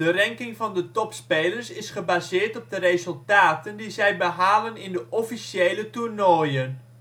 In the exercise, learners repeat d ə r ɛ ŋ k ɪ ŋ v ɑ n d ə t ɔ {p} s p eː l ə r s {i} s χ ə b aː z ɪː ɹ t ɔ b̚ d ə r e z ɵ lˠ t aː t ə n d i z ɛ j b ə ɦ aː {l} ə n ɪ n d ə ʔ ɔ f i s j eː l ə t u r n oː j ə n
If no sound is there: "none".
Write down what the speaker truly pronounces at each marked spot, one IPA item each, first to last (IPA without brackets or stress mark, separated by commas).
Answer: p, ɪ, l